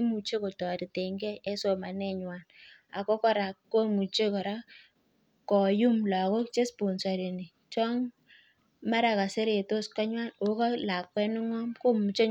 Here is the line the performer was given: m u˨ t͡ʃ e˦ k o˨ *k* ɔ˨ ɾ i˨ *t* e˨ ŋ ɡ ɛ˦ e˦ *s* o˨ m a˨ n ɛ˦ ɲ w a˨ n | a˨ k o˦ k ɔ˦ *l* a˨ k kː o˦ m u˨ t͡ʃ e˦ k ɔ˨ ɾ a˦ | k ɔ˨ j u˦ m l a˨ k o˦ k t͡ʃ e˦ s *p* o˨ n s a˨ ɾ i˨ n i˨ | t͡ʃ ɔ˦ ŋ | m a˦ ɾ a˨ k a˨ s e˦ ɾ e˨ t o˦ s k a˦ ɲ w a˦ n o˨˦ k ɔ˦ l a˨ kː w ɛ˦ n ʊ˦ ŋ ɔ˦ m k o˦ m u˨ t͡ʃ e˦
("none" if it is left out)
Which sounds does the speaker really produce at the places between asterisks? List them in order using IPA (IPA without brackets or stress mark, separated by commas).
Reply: t, t, s, ɾ, p